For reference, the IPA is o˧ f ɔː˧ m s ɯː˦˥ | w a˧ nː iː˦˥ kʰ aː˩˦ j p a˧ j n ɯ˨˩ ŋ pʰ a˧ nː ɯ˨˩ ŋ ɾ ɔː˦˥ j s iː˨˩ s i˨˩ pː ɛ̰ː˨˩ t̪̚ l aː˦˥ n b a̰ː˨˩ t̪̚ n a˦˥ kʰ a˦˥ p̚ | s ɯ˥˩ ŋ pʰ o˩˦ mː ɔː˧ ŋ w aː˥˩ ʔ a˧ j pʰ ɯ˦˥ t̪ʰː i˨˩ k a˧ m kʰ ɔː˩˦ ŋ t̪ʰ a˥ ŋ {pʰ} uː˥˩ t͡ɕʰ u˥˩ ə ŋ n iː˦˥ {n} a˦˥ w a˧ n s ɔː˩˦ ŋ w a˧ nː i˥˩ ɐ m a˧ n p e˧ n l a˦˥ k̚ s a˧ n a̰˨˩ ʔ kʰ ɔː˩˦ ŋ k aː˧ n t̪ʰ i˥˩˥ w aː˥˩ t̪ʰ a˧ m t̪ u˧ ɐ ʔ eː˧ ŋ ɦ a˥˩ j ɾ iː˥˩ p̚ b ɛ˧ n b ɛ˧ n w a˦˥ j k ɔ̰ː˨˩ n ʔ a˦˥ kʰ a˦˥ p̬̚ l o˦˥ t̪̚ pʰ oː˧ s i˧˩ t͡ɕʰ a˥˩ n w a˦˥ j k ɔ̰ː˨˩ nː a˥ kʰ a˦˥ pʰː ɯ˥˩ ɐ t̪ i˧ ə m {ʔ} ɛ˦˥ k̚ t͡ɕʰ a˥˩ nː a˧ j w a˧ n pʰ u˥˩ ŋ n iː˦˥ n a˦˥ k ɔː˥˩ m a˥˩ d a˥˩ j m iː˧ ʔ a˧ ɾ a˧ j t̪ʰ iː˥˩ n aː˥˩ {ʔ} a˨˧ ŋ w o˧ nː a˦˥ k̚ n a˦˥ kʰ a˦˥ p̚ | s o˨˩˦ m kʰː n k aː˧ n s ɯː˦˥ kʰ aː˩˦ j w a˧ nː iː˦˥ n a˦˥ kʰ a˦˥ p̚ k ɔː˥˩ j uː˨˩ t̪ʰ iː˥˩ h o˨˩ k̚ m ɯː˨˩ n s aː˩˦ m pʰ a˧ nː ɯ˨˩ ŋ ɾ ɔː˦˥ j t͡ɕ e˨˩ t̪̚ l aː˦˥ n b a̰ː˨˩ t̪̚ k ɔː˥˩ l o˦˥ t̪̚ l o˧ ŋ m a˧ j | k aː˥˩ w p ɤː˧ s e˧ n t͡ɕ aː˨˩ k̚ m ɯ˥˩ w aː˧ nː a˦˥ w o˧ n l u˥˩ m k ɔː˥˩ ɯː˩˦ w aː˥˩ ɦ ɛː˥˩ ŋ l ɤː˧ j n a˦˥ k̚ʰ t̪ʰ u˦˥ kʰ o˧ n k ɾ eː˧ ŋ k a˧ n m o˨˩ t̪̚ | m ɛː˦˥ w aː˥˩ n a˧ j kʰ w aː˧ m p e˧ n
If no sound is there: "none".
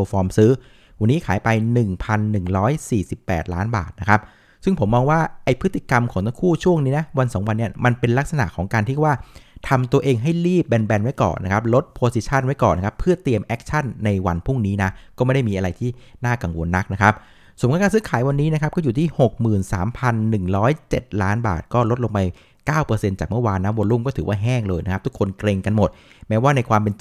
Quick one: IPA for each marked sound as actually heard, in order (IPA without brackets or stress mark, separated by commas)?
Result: kʰ, n, ʔ, k